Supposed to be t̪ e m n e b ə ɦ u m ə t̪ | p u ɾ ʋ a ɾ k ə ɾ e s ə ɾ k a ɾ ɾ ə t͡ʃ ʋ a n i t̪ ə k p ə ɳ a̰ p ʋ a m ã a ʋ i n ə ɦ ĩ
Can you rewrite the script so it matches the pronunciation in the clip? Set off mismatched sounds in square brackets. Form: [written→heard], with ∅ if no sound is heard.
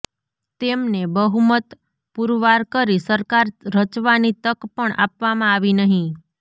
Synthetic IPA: t̪ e m n e b ə ɦ u m ə t̪ | p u ɾ ʋ a ɾ k ə ɾ [e→i] s ə ɾ k a ɾ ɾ ə t͡ʃ ʋ a n i t̪ ə k p ə ɳ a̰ p ʋ a m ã a ʋ i n ə ɦ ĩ